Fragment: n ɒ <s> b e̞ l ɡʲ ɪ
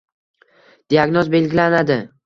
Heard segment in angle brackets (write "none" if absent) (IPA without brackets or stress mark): z